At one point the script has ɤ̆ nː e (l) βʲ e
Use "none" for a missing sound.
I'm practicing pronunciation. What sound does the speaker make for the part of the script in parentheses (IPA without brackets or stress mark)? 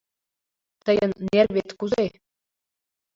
r